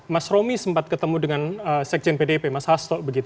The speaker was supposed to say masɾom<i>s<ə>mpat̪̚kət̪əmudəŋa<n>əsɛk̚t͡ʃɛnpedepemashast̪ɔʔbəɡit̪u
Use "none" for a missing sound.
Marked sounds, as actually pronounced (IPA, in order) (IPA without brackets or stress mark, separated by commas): i, ə, n